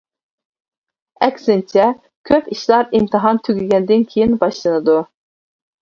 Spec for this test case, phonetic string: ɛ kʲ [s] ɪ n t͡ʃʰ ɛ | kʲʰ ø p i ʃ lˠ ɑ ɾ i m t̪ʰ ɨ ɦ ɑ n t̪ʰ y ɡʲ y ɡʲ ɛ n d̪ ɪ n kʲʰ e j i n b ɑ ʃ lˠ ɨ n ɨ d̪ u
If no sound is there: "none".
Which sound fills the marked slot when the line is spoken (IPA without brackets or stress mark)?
s